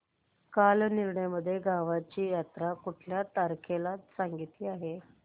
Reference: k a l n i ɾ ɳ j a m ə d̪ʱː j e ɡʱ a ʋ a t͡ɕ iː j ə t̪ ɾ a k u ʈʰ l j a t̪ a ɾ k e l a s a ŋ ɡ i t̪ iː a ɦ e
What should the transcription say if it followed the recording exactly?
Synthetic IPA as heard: k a l n i ɾ ɳ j a m ə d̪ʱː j e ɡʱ a ʋ a t͡ɕ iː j a t̪ ɾ a k u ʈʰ l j a t̪ a ɾ kʰ e l a s a ŋ ɡ i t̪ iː a ɦ e

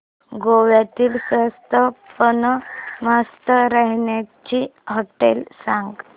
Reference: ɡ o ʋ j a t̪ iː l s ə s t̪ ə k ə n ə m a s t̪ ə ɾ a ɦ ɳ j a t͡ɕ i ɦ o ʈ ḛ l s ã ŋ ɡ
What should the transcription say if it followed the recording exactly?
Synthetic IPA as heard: ɡ o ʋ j a t̪ iː l s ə s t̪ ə p ə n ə m a s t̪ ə ɾ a ɦ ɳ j a t͡ɕ i ɦ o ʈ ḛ l s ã ŋ ɡ

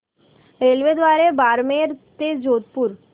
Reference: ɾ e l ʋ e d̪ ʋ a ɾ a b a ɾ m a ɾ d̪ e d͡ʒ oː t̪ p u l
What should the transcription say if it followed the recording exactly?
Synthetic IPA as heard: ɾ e l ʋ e d̪ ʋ a ɾ e b a ɾ m e ɾ t̪ e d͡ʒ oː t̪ p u ɾ

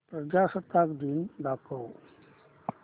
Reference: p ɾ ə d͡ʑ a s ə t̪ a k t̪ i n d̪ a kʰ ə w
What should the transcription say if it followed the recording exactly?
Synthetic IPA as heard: p ɾ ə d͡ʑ a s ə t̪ a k d̪ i n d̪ a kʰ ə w

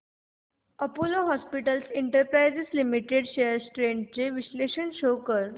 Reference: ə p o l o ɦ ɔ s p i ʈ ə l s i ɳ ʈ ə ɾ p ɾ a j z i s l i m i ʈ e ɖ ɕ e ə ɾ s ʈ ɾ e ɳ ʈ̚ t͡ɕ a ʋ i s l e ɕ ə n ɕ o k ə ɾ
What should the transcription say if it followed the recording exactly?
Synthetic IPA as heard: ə p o l o ɦ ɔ s p i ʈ ə l s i ɳ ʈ ə ɾ p ɾ a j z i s l i m i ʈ e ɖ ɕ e ə ɾ s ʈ ɾ e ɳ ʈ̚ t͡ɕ e ʋ i s l e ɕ ə n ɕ o k ə ɾ

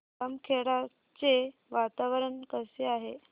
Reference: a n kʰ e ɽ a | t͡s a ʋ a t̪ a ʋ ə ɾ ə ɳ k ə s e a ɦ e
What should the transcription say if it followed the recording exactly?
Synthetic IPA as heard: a m kʰ e ɽ a | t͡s e ʋ a t̪ a ʋ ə ɾ ə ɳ k ə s e a ɦ e

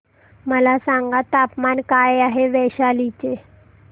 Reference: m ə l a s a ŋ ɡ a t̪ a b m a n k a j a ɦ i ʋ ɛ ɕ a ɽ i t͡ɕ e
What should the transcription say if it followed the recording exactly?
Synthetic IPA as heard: m ə l a s a ŋ ɡ a t̪ a p m a n k a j a ɦ e ʋ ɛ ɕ a l i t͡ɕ e

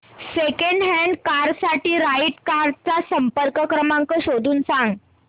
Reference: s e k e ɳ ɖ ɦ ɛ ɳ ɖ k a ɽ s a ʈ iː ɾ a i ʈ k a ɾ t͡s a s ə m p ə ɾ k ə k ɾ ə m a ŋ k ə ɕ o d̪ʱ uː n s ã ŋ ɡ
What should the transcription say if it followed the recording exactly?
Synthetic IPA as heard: s e k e ɳ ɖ ɦ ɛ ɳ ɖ k a ɾ s a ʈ iː ɾ a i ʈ k a ɾ t͡s a s ə m p ə ɾ k ə k ɾ ə m a ŋ k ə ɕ o d̪ʱ uː n s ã ŋ ɡ

